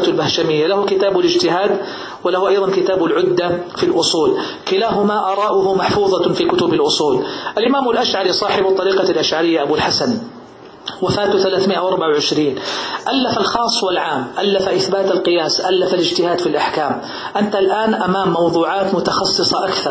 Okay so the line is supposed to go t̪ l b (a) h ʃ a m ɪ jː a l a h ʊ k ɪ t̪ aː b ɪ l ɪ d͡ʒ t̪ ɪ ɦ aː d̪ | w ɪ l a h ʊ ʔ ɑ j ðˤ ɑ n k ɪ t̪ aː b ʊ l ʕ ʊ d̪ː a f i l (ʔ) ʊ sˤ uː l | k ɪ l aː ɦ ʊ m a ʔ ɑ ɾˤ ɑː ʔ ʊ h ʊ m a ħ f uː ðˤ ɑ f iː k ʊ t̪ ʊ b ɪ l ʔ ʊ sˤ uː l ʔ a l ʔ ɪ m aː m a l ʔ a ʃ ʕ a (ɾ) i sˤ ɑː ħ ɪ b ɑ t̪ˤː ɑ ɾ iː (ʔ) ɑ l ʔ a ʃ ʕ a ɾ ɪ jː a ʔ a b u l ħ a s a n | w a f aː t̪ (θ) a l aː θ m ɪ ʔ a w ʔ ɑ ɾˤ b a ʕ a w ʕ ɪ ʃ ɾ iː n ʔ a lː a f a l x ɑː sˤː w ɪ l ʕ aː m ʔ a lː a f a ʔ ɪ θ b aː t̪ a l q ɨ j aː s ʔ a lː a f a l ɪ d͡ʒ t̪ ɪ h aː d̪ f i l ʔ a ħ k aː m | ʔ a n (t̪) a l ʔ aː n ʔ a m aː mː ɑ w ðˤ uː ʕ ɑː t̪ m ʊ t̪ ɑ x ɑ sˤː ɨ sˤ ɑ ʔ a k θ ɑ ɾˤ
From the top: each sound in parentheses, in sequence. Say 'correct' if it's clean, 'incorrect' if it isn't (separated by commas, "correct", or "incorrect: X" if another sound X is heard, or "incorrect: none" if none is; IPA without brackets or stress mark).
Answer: correct, correct, correct, incorrect: q, correct, correct